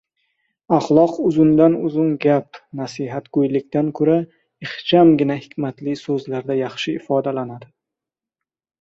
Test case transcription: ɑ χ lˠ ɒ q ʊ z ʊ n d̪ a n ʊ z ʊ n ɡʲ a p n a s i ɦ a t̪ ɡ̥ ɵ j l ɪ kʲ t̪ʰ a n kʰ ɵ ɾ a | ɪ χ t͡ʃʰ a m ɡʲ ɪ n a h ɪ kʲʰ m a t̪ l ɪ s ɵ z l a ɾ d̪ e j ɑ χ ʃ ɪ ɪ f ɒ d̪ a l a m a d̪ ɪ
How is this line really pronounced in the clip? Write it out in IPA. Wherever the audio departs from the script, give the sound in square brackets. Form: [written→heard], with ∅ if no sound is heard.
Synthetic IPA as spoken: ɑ χ lˠ ɒ q ʊ z ʊ n d̪ a n ʊ z ʊ n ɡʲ a p n a s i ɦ a t̪ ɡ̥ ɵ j l ɪ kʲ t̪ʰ a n kʰ ɵ ɾ a | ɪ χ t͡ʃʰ a m ɡʲ ɪ n a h ɪ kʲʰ m a t̪ l ɪ s ɵ z l a ɾ d̪ [e→a] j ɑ χ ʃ ɪ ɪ f ɒ d̪ a l a [m→n] a d̪ ɪ